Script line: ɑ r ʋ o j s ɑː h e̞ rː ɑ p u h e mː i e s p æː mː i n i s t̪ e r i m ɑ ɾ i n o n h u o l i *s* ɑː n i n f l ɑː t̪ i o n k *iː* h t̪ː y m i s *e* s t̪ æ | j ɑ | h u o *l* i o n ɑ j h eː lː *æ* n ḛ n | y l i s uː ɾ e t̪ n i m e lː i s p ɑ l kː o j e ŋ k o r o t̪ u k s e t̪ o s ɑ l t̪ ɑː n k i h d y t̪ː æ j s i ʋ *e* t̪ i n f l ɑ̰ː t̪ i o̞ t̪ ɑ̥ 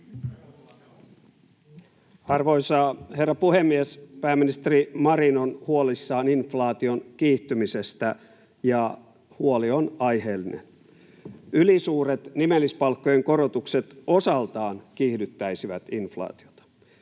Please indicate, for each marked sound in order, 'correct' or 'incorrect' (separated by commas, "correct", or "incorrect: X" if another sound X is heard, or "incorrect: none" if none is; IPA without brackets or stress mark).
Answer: incorrect: sː, correct, correct, correct, incorrect: i, incorrect: æ